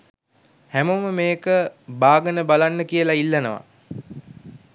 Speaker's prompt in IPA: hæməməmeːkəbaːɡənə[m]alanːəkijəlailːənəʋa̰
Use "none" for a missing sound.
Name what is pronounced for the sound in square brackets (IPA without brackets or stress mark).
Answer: b